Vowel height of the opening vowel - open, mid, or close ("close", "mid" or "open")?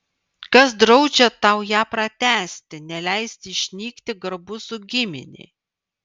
open